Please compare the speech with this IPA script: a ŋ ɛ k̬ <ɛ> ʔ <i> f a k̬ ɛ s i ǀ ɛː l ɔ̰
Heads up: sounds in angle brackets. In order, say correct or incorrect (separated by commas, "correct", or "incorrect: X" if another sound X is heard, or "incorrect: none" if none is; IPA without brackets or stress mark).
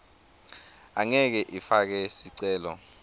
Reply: correct, correct